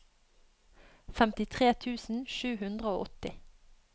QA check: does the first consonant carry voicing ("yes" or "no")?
no